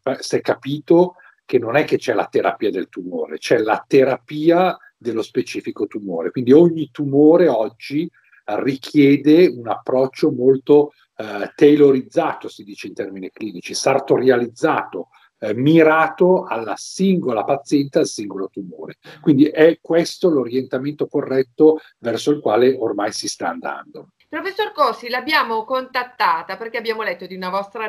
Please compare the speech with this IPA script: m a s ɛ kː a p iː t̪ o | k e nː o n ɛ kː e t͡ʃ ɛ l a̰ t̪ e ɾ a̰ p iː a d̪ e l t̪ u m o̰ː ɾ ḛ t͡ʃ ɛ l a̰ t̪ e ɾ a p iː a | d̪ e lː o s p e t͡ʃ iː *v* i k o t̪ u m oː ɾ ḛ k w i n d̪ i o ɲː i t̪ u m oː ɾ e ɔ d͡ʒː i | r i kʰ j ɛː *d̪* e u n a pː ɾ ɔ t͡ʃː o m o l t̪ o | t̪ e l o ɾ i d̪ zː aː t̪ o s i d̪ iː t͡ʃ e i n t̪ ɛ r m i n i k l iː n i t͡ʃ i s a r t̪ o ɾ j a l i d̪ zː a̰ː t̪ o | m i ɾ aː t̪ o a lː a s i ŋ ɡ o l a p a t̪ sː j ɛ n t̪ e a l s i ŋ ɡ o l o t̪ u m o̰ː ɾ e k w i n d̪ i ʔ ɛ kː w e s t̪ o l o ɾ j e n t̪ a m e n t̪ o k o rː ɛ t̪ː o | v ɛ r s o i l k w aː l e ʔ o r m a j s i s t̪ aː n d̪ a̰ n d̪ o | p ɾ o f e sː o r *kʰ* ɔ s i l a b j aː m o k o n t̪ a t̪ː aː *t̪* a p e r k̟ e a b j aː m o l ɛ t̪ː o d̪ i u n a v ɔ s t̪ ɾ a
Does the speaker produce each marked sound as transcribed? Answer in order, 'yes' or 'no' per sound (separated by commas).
no, yes, no, yes